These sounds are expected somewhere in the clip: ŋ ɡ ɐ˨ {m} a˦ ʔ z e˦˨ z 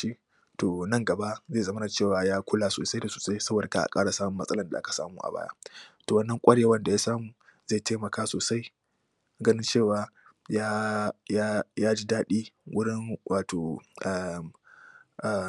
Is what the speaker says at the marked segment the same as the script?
no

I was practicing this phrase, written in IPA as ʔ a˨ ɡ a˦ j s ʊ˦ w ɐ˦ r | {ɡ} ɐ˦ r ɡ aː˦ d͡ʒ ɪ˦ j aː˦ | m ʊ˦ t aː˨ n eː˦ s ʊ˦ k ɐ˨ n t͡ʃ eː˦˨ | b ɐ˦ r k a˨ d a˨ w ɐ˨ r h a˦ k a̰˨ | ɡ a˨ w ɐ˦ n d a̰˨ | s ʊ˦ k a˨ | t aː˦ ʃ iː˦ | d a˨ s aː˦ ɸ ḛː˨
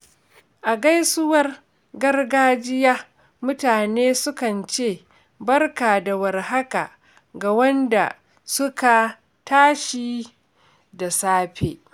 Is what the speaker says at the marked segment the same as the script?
yes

